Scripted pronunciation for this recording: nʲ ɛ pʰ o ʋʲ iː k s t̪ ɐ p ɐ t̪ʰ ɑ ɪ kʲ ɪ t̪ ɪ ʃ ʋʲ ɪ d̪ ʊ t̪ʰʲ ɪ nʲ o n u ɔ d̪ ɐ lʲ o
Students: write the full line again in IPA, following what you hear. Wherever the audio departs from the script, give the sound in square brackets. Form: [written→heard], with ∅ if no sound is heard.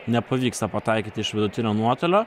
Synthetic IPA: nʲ ɛ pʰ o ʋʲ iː k s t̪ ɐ p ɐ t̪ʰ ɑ ɪ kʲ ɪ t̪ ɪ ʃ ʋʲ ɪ d̪ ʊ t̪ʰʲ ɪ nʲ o n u ɔ [d̪→t̪] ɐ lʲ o